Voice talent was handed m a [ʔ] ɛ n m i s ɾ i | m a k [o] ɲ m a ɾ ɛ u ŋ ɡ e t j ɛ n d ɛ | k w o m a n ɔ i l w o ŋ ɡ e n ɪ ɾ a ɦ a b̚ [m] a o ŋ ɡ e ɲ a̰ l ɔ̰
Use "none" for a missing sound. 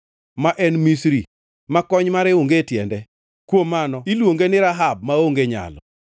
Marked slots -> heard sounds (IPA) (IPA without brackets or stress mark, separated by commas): ʔ, ɔ, m